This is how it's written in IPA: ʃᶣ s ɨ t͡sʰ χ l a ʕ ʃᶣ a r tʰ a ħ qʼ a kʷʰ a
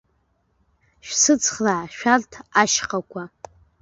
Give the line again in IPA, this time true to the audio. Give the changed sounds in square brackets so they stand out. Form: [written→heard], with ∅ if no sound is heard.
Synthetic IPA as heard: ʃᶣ s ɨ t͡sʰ χ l a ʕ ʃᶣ a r tʰ a [ħ→ʃ] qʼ a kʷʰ a